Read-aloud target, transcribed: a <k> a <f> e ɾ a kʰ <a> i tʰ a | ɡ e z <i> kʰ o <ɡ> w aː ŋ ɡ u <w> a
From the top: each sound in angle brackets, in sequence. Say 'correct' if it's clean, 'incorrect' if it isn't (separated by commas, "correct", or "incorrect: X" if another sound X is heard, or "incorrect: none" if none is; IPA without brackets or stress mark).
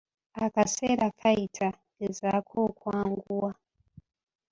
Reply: correct, incorrect: s, correct, incorrect: a, incorrect: k, correct